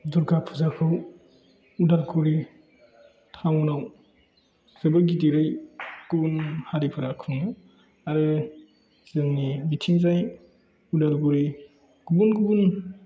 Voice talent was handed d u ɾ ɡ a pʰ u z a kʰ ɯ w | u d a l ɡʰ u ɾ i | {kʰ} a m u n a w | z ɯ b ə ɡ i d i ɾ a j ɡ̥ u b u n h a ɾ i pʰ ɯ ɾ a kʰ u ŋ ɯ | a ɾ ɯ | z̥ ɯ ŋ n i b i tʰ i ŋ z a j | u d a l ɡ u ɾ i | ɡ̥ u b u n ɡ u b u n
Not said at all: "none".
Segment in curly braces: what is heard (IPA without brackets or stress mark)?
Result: tʰ